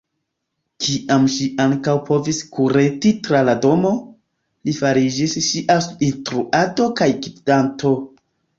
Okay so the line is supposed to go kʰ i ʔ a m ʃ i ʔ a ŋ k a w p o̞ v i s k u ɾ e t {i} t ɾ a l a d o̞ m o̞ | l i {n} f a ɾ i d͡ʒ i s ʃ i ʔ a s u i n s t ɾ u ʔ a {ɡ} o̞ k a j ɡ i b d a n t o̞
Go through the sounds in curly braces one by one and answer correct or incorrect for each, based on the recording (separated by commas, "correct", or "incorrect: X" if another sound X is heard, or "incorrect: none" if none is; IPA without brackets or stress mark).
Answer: correct, incorrect: none, incorrect: d